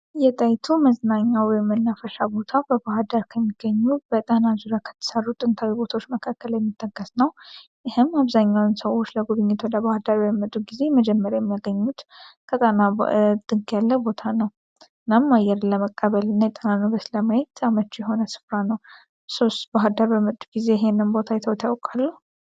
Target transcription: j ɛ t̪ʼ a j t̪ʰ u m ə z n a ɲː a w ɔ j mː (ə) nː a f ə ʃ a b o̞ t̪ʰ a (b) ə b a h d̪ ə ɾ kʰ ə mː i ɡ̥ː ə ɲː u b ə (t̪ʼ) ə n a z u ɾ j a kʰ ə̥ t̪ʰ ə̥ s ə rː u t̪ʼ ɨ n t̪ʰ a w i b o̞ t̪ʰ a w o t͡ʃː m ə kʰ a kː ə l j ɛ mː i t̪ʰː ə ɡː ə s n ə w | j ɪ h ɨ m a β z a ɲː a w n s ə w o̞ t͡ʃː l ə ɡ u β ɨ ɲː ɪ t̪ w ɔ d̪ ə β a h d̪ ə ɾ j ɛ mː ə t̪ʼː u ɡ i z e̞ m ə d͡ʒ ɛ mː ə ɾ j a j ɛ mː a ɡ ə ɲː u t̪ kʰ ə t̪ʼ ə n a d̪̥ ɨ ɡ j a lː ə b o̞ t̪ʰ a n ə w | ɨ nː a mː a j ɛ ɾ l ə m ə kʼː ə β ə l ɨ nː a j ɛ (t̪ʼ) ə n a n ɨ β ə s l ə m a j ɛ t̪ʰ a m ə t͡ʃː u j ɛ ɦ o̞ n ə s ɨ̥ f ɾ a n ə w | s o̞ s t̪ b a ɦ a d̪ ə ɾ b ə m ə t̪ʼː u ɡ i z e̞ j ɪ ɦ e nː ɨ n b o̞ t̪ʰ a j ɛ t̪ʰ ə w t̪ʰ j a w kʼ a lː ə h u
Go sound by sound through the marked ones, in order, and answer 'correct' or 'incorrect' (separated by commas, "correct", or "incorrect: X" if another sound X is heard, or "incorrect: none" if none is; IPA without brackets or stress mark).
correct, correct, correct, correct